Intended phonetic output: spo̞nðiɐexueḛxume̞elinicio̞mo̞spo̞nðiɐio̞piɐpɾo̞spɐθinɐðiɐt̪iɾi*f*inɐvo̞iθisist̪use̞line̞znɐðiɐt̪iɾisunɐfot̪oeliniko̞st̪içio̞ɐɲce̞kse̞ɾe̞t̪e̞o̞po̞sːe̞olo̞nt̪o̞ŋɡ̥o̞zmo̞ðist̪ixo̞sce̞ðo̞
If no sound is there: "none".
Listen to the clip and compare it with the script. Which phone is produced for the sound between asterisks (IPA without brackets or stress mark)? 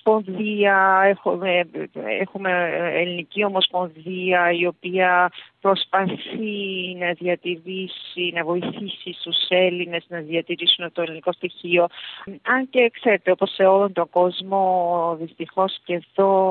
s